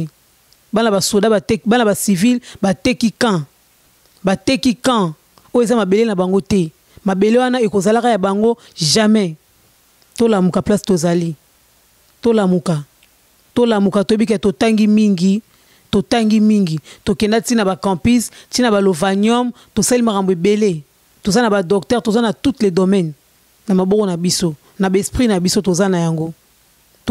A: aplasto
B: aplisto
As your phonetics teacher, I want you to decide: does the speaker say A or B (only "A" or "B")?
A